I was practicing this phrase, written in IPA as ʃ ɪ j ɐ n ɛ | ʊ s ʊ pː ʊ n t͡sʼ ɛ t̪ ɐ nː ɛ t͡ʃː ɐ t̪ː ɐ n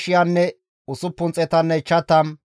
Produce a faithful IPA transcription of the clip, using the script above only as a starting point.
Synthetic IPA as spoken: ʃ ɪ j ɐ nː ɛ | ʊ s ʊ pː ʊ n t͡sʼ ɛ t̪ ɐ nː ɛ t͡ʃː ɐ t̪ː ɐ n